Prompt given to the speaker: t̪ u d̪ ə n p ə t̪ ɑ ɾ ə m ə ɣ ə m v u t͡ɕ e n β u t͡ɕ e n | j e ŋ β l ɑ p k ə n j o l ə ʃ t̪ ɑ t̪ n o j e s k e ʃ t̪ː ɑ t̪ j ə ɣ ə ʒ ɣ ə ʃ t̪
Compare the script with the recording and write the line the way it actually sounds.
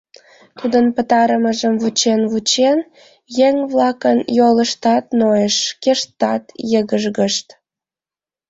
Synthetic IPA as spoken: t̪ u d̪ ə n p ə t̪ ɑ ɾ ə m ə ʒ ə m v u t͡ɕ e n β u t͡ɕ e n | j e ŋ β l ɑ k ə n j o l ə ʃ t̪ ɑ t̪ n o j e ʃ k e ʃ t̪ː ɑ t̪ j ə ɣ ə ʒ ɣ ə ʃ t̪

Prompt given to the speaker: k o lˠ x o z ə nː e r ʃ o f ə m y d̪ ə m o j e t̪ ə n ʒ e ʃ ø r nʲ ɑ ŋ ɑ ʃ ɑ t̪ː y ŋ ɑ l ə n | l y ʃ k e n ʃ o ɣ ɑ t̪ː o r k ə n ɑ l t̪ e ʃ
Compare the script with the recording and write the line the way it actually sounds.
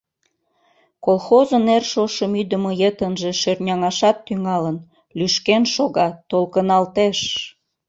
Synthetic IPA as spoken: k o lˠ x o z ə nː e r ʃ o ʃ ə m y d̪ ə m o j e t̪ ə n ʒ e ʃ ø r nʲ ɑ ŋ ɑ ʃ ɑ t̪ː y ŋ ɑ l ə n | l y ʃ k e n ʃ o ɣ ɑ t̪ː o l k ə n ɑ l t̪ e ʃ

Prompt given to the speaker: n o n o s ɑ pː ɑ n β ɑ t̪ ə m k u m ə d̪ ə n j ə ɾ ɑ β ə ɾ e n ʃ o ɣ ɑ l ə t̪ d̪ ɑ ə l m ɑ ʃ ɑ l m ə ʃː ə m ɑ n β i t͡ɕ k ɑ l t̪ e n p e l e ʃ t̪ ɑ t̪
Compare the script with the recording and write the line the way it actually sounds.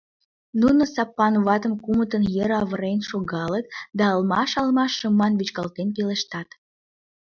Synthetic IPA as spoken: n u n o s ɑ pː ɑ n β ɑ t̪ ə m k u m ə t̪ ə n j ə ɾ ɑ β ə ɾ e n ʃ o ɣ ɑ l ə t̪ d̪ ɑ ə l m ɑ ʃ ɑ l m ɑ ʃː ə m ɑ n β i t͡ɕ k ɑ l t̪ e n p e l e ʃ t̪ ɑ t̪

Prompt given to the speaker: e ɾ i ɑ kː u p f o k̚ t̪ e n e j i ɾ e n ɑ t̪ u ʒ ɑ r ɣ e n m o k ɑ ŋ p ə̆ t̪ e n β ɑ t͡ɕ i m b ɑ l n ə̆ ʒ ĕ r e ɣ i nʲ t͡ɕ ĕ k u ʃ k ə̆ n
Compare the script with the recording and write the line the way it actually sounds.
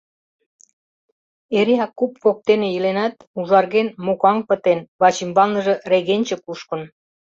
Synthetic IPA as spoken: e ɾ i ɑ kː u p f o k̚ t̪ e n e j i l e n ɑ t̪ u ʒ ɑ r ɣ e n m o k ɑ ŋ p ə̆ t̪ e n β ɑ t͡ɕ i m b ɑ l n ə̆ ʒ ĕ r e ɣ e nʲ t͡ɕ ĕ k u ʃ k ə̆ n

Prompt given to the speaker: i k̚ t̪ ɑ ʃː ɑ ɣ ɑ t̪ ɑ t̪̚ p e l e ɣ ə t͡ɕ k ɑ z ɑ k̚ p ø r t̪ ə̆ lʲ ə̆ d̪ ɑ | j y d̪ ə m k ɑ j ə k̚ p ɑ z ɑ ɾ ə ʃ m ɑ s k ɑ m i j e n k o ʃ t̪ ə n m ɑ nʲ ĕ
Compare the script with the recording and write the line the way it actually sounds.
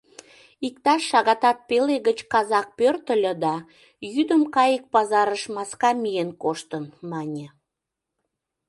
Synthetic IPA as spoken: i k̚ t̪ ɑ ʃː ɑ ɣ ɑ t̪ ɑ t̪̚ p e l e ɣ ə t͡ɕ k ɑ z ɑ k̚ p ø r t̪ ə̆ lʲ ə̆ d̪ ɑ | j y d̪ ə m k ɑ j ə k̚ p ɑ z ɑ ɾ ə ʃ m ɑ s k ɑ m i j e n k o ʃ t̪ ə n m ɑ nʲ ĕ

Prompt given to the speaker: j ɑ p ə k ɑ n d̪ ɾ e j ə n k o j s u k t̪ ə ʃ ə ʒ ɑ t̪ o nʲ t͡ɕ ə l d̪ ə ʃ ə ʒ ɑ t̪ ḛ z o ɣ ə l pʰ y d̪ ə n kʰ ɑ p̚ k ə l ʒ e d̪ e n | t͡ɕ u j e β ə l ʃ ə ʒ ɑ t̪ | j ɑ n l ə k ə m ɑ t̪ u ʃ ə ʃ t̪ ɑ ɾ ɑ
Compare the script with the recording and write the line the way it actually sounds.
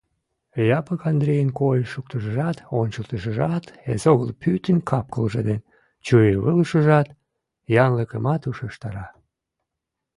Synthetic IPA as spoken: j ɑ p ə k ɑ n d̪ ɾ e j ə n k o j ʃ u k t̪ ə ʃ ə ʒ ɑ t̪ o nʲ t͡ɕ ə l t̪ ə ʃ ə ʒ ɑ t̪ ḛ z o ɣ ə l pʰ y t̪ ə n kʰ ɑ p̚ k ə l ʒ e d̪ e n | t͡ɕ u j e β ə l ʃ ə ʒ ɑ t̪ | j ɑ n l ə k ə m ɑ t̪ u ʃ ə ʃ t̪ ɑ ɾ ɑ

